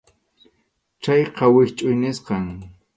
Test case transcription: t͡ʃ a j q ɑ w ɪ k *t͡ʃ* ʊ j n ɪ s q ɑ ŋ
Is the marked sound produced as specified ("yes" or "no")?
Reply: no